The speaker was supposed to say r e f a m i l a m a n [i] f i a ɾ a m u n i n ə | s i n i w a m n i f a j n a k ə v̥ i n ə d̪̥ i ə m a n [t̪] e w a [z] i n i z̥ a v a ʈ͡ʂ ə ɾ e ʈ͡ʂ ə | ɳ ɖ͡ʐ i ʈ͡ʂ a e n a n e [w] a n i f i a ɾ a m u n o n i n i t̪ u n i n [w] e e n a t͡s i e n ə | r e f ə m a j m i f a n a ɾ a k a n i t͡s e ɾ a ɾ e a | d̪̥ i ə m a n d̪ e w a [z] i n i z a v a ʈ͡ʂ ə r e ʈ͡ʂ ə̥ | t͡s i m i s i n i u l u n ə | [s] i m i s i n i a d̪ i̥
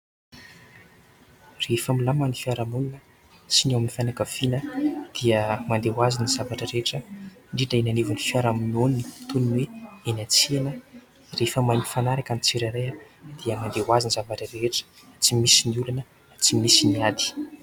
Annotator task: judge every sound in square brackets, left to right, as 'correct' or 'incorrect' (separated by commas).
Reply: correct, incorrect, correct, incorrect, correct, correct, incorrect